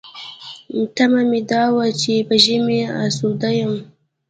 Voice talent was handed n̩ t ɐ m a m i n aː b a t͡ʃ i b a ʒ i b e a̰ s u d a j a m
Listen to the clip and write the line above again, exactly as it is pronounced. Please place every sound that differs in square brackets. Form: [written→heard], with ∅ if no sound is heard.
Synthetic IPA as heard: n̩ t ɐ m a m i [n→d] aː [b→w] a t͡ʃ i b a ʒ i [b→m] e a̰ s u d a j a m